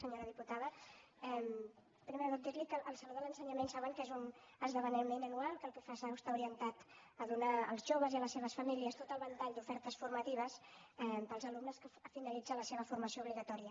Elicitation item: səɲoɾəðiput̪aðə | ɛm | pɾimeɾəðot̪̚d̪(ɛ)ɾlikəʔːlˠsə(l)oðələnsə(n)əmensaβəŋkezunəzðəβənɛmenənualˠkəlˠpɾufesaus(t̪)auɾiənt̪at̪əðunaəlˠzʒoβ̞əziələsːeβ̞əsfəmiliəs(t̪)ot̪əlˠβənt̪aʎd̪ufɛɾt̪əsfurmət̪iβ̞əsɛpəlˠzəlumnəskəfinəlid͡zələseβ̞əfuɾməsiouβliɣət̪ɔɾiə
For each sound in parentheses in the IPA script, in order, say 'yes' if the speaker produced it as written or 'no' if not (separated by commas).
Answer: no, yes, no, yes, yes